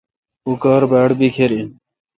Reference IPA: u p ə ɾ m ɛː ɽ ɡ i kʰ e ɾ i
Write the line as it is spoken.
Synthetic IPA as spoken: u k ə ɾ b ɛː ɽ b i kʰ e ɾ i